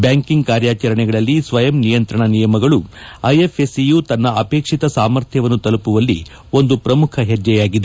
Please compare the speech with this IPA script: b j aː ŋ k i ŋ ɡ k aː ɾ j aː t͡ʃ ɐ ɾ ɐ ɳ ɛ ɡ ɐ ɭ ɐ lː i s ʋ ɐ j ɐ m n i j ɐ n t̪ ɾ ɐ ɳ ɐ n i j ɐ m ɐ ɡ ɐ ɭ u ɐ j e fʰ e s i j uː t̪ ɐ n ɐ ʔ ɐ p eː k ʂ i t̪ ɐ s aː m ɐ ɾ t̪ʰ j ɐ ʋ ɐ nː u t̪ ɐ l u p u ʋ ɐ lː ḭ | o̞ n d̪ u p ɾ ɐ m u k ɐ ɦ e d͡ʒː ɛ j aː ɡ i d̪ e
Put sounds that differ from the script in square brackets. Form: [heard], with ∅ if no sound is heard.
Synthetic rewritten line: b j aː ŋ k i ŋ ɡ k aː ɾ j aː t͡ʃ ɐ ɾ ɐ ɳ ɛ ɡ ɐ ɭ ɐ lː i s ʋ ɐ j ɐ m n i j ɐ n t̪ ɾ ɐ ɳ ɐ n i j ɐ m ɐ ɡ ɐ ɭ u ɐ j e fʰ e s i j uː t̪ ɐ [nː] ɐ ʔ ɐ p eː k ʂ i t̪ ɐ s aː m ɐ ɾ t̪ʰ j ɐ ʋ ɐ nː u t̪ ɐ l u p u ʋ ɐ lː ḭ | o̞ n d̪ u p ɾ ɐ m u [kʰ] ɐ ɦ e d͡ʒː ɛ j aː ɡ i d̪ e

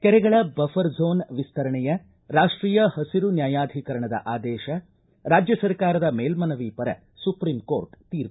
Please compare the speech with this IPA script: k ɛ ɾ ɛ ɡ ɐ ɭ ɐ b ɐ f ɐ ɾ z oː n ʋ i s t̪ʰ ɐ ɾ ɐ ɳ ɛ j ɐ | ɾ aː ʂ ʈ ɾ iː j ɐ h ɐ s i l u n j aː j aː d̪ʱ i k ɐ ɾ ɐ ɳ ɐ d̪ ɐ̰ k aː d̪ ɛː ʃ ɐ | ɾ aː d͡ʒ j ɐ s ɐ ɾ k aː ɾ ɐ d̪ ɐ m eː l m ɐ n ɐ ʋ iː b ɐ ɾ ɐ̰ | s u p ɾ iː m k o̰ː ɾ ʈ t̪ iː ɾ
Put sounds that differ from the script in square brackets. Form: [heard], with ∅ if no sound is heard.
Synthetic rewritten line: k ɛ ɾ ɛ ɡ ɐ ɭ ɐ b ɐ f ɐ ɾ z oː n ʋ i s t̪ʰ ɐ ɾ ɐ ɳ ɛ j ɐ | ɾ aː ʂ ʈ ɾ iː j ɐ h ɐ s i [ɾ] u n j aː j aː d̪ʱ i k ɐ ɾ ɐ ɳ ɐ d̪ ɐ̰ [ʔ] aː d̪ ɛː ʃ ɐ | ɾ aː d͡ʒ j ɐ s ɐ ɾ k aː ɾ ɐ d̪ ɐ m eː l m ɐ n ɐ ʋ iː [p] ɐ ɾ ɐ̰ | s u p ɾ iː m k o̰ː ɾ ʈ t̪ iː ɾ

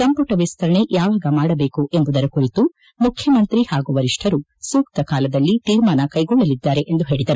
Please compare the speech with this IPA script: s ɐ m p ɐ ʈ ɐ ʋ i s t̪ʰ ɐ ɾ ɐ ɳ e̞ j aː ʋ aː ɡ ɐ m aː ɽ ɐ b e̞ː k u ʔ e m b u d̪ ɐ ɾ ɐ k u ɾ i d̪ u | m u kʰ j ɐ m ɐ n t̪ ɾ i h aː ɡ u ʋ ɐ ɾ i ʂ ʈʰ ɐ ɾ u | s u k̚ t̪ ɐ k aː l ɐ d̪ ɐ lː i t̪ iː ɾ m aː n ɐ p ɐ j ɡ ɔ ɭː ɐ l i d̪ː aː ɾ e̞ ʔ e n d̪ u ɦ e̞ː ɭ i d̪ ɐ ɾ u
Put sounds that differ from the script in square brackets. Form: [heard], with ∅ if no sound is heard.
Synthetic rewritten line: s ɐ m p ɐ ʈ ɐ ʋ i s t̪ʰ ɐ ɾ ɐ ɳ e̞ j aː ʋ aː ɡ ɐ m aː ɽ ɐ b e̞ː k u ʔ e m b u d̪ ɐ ɾ ɐ k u ɾ i [t̪] u | m u kʰ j ɐ m ɐ n t̪ ɾ i h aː ɡ u ʋ ɐ ɾ i ʂ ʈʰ ɐ ɾ u | s [uː] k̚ t̪ ɐ k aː l ɐ d̪ ɐ lː i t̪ iː ɾ m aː n ɐ [k] ɐ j ɡ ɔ ɭː ɐ l i d̪ː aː ɾ e̞ ʔ e n d̪ u ɦ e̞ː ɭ i d̪ ɐ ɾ u

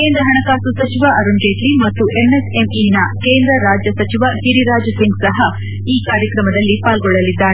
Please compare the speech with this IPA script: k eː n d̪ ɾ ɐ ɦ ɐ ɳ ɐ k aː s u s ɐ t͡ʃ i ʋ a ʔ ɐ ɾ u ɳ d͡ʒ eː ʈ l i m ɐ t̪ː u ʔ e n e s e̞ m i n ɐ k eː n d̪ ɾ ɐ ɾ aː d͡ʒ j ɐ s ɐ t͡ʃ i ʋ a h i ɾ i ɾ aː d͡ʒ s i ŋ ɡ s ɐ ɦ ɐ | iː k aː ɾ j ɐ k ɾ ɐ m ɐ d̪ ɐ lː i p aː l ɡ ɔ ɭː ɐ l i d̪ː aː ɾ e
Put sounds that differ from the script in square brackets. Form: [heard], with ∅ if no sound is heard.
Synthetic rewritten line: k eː n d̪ ɾ ɐ ɦ ɐ ɳ ɐ k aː s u s ɐ t͡ʃ i ʋ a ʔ ɐ ɾ u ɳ d͡ʒ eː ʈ l i m ɐ t̪ː u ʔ e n e s e̞ m i n ɐ k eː n d̪ ɾ ɐ ɾ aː d͡ʒ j ɐ s ɐ t͡ʃ i ʋ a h i ɾ i ɾ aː d͡ʒ s i ŋ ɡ s ɐ ɦ ɐ | iː k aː ɾ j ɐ k ɾ ɐ m ɐ d̪ ɐ lː i p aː l ɡ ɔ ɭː ɐ l i d̪ː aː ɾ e

